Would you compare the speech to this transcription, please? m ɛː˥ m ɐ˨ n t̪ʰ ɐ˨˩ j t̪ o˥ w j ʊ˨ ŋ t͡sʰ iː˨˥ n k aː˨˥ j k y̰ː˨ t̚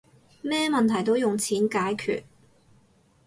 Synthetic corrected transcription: m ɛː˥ m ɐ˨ n t̪ʰ ɐ˨˩ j t̪ o˥ w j ʊ˨ ŋ t͡sʰ iː˨˥ n k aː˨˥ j kʰ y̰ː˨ t̚

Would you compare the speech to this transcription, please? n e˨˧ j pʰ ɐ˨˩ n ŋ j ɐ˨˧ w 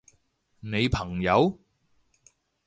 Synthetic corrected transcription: n e˨˧ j pʰ ɐ˨˩ ŋ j ɐ˨˧ w

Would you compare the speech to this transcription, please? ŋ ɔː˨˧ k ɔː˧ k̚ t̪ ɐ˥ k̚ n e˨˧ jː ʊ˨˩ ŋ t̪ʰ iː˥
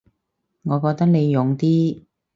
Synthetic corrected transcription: ŋ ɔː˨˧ k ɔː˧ k̚ t̪ ɐ˥ k̚ n e˨˧ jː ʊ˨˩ ŋ t̪ iː˥

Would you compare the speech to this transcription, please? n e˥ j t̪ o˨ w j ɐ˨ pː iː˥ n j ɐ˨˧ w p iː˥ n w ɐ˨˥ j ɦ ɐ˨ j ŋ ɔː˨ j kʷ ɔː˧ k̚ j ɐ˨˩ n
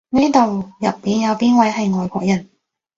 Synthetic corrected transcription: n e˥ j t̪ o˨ w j ɐ˨ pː iː˨˧ n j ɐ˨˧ w p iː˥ n w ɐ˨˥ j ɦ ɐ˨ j ŋ ɔː˨ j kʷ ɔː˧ k̚ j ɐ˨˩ n

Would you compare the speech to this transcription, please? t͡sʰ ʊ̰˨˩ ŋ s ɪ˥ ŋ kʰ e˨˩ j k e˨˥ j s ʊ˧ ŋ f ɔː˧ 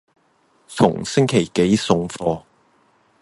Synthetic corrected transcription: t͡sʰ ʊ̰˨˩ ŋ s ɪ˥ ŋ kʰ e˨˩ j k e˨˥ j s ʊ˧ ŋ f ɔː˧

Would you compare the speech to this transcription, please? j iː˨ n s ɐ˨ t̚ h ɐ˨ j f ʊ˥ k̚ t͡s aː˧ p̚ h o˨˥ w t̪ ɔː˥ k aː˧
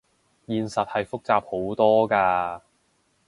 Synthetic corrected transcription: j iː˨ n s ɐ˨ t̚ h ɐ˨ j f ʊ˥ k̚ t͡s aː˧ p̚ h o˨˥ w t̪ ɔː˥ k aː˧

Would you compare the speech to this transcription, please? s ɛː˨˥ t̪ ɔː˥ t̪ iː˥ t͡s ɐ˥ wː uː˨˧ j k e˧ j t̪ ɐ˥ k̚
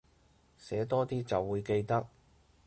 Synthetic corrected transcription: s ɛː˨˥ t̪ ɔː˥ t̪ iː˥ t͡s ɐ˨ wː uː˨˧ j k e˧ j t̪ ɐ˥ k̚

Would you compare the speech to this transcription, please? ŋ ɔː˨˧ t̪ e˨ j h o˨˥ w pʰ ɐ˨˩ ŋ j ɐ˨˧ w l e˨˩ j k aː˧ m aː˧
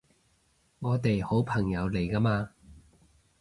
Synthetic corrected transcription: ŋ ɔː˨˧ t̪ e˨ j h o˨˥ w pʰ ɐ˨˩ ŋ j ɐ˨˧ w l e˨˩ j k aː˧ m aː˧

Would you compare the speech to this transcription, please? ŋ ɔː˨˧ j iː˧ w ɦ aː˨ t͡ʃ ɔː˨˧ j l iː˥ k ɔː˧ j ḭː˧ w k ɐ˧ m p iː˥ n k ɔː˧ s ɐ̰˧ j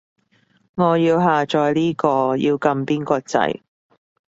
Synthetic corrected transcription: ŋ ɔː˨˧ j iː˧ w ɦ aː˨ t͡ʃ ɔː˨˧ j l iː˥ k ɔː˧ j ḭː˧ w k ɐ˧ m p iː˥ n k ɔː˧ t͡s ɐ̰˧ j

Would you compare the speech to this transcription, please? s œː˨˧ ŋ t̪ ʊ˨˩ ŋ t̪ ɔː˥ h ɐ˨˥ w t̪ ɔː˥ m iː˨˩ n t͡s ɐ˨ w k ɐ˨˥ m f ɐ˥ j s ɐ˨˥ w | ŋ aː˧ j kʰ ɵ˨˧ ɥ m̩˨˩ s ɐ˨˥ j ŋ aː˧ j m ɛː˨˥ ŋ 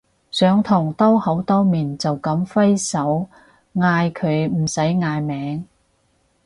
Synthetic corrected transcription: s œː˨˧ ŋ t̪ʰ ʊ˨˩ ŋ t̪ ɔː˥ h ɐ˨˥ w t̪ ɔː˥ m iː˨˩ n t͡s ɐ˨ w k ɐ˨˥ m f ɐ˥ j s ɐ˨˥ w | ŋ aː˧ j kʰ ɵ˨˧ ɥ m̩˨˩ s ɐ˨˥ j ŋ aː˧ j m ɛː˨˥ ŋ

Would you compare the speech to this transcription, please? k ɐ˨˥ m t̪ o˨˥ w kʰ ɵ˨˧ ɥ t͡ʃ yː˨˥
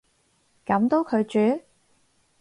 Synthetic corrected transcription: k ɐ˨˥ m t̪ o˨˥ w kʰ ɵ˨˧ ɥ t͡ʃ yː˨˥

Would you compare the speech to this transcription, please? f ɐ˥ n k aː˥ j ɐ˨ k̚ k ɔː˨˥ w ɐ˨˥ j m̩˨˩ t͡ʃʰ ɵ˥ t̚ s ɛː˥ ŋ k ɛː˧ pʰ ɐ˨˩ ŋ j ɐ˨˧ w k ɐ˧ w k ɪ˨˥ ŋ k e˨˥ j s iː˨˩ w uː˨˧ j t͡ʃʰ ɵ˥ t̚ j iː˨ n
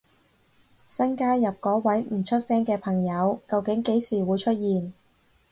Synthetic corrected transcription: s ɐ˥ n k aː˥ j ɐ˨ p̚ k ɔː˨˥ w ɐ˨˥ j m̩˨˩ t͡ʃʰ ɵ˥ t̚ s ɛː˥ ŋ k ɛː˧ pʰ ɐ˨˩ ŋ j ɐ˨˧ w k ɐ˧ w k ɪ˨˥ ŋ k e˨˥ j s iː˨˩ w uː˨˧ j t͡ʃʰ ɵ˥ t̚ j iː˨ n

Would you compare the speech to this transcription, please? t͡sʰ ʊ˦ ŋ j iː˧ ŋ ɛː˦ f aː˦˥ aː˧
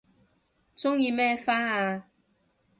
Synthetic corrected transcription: t͡s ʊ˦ ŋ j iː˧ m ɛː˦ f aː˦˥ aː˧

